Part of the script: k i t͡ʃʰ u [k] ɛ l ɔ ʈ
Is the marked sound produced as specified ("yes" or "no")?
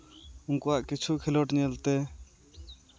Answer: no